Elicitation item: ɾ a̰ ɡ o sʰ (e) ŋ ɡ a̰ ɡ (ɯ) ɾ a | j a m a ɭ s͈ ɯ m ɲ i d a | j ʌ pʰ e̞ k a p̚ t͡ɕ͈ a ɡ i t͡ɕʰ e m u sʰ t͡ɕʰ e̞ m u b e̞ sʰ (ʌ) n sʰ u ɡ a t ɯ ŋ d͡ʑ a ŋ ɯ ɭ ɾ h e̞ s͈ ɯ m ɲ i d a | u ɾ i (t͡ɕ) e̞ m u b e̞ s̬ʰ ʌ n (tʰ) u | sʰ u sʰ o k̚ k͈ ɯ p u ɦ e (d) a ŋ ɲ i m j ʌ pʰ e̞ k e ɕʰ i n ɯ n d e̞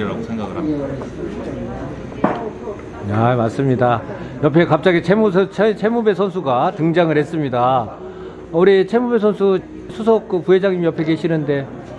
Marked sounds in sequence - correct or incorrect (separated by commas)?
correct, correct, correct, incorrect, incorrect, incorrect